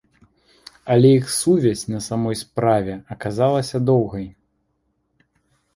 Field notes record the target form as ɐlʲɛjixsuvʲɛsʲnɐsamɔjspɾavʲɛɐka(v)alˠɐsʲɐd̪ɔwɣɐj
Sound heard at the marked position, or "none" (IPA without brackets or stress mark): z